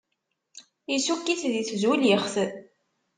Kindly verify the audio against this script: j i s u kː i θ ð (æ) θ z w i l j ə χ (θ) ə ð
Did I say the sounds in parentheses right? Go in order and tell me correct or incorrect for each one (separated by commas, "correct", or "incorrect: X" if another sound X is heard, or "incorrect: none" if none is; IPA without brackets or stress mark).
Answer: incorrect: i, correct